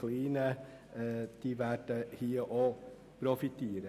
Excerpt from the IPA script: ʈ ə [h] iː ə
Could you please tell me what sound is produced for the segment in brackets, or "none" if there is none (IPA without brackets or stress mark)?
h